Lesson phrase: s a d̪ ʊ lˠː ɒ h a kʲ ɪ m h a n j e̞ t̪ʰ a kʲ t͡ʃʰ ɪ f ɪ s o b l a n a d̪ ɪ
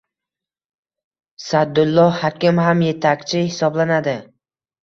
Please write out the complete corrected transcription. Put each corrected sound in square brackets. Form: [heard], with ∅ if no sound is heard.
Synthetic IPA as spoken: s a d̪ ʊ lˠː ɒ h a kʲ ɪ m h a [m] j e̞ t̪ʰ a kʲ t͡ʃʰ ɪ [h] ɪ s [ɒ] b l a n a d̪ ɪ